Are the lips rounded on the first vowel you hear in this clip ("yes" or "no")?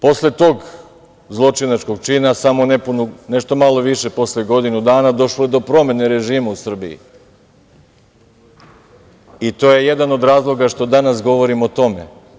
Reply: yes